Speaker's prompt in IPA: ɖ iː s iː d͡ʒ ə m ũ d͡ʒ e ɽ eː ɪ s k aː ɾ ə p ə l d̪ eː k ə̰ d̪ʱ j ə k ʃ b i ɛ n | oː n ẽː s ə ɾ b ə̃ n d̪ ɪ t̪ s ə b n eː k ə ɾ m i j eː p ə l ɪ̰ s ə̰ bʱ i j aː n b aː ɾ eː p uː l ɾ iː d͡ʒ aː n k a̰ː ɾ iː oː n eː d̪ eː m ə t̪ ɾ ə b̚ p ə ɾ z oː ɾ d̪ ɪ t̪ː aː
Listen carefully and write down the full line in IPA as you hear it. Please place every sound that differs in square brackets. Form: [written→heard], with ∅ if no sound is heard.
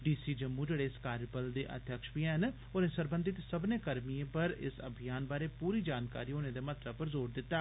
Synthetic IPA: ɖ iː s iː d͡ʒ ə m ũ d͡ʒ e ɽ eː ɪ s k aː ɾ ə p ə l d̪ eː [k→ʔ] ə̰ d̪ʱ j ə k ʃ b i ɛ n | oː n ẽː s ə ɾ b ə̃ n d̪ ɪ t̪ s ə b n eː k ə ɾ m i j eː p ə [l→ɾ] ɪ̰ s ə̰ bʱ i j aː n b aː ɾ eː p uː [l→∅] ɾ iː d͡ʒ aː n k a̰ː ɾ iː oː n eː d̪ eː m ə t̪ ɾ ə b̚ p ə ɾ z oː ɾ d̪ ɪ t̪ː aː

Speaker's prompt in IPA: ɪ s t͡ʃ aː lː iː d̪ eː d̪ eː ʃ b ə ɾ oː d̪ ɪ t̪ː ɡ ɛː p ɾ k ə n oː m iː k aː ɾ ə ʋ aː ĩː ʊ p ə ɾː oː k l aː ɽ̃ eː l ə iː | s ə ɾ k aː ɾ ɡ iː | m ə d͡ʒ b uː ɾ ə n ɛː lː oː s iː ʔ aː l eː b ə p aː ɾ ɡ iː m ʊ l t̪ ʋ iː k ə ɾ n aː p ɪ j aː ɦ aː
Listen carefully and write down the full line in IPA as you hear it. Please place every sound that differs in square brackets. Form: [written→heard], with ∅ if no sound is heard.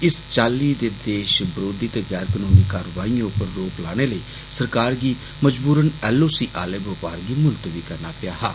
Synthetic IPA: ɪ s t͡ʃ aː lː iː d̪ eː d̪ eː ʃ b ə ɾ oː d̪ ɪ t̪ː ɡ ɛː [p→∅] ɾ k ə n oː m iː k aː ɾ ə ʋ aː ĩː ʊ p ə ɾː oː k l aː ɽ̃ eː l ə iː | s ə ɾ k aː ɾ ɡ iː | m ə d͡ʒ b uː ɾ ə n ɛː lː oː s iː ʔ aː l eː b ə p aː ɾ ɡ iː m ʊ l t̪ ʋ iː k ə ɾ n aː p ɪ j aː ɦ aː

